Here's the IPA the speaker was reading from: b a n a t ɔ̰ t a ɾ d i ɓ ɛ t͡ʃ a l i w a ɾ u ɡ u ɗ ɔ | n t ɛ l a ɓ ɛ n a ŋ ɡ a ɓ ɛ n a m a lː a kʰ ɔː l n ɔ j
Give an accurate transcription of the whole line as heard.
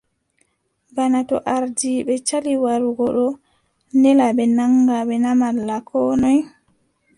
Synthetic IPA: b a n a t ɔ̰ ʔ a ɾ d i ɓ ɛ t͡ʃ a l i w a ɾ u ɡ ɔ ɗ ɔ | n d ɛ l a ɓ ɛ n a ŋ ɡ a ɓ ɛ n a m a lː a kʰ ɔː n ɔ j